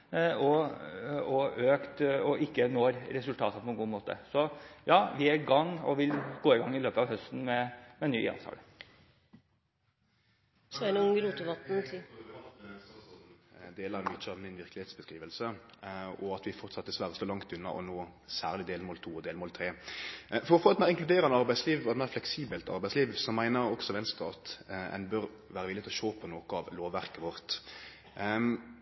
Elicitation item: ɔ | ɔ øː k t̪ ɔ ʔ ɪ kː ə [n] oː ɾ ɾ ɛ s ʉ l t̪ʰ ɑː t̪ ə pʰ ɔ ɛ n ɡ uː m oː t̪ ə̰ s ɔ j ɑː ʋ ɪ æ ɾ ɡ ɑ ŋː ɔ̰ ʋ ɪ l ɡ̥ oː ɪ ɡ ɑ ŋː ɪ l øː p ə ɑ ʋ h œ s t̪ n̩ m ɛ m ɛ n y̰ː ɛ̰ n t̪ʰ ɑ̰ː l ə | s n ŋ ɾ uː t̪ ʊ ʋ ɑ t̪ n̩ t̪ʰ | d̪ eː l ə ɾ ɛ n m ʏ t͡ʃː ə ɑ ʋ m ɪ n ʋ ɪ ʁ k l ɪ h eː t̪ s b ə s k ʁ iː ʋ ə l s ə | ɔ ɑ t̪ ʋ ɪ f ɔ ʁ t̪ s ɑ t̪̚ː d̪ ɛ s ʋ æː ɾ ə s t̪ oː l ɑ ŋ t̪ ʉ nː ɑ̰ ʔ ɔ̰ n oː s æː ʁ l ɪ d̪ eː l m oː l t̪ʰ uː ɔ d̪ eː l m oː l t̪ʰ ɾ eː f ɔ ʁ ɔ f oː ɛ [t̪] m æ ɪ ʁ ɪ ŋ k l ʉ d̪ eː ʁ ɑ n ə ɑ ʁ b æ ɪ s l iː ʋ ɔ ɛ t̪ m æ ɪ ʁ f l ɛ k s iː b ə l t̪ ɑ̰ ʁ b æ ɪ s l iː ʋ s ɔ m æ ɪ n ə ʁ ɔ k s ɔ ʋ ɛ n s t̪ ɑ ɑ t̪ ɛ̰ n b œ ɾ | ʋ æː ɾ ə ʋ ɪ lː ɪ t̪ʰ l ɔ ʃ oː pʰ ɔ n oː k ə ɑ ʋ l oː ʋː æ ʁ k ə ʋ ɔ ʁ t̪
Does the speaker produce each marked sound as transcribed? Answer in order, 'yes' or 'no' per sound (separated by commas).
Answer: yes, yes